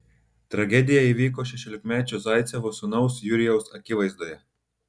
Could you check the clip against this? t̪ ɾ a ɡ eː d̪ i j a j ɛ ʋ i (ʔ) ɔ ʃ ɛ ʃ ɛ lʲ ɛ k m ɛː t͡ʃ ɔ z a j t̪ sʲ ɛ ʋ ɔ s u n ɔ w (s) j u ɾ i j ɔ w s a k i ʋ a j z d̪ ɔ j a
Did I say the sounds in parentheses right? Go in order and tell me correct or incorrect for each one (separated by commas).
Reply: incorrect, correct